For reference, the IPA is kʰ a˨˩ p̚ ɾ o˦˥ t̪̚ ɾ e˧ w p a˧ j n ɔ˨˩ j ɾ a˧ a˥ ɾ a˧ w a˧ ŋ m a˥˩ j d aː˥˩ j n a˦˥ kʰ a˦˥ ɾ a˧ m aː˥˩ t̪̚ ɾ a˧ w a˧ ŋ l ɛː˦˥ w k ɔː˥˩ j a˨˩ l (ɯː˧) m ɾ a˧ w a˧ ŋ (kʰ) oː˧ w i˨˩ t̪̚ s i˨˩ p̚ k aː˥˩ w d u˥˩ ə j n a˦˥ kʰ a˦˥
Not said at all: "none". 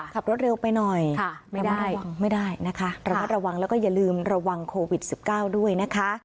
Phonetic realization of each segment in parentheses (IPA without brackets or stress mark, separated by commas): ɯː˧, kʰ